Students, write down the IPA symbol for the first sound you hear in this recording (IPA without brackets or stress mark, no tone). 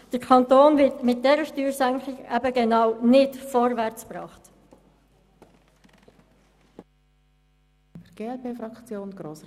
d̥